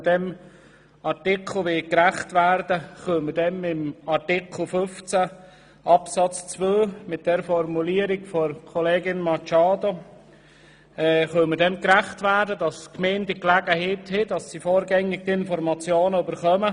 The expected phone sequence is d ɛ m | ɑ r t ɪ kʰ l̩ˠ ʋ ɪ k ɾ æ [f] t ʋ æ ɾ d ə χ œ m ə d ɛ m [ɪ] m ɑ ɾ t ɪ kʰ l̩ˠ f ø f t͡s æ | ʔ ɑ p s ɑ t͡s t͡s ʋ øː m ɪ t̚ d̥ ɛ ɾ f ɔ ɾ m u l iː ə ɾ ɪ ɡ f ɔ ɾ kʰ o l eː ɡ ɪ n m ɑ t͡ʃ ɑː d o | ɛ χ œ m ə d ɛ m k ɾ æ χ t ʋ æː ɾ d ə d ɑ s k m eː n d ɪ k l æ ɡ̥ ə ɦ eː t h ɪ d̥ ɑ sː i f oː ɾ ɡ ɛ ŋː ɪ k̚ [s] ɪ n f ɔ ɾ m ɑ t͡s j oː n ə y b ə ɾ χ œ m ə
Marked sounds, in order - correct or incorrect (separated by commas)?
incorrect, correct, incorrect